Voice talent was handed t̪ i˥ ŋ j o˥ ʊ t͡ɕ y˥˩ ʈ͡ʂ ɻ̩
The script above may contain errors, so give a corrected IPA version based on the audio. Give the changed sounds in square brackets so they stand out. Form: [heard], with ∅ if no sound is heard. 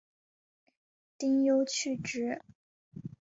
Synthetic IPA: t̪ i˥ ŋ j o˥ ʊ [t͡ɕʰ] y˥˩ ʈ͡ʂ ɻ̩